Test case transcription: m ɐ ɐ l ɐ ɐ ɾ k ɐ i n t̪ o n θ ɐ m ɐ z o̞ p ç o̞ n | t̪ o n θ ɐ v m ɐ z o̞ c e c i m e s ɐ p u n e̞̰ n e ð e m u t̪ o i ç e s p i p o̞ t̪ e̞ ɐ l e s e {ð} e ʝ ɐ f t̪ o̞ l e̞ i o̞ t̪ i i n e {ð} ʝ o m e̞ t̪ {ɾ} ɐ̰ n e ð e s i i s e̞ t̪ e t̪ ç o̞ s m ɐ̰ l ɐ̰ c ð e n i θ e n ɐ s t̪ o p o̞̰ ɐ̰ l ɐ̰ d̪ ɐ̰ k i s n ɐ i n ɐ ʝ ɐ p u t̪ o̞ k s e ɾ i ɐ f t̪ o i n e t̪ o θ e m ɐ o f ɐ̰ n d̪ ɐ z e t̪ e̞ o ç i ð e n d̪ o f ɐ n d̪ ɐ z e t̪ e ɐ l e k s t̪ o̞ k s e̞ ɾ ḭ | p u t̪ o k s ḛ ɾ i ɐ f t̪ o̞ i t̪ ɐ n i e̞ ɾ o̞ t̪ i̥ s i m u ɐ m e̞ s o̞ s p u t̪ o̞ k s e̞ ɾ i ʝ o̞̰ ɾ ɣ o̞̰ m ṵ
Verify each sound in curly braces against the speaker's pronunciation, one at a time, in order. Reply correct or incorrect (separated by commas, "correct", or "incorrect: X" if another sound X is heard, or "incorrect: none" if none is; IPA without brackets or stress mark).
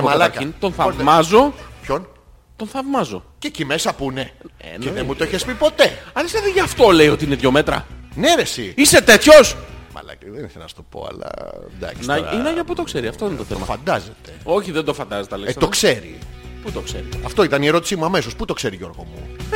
correct, correct, correct